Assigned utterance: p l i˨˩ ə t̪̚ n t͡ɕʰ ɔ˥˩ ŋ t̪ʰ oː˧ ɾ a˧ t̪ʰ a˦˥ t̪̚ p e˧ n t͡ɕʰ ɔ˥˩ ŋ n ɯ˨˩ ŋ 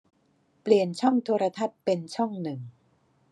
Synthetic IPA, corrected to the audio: p l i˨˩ ə n t͡ɕʰ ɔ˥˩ ŋ t̪ʰ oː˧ ɾ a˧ t̪ʰ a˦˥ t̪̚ p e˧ n t͡ɕʰ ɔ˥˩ ŋ n ɯ˨˩ ŋ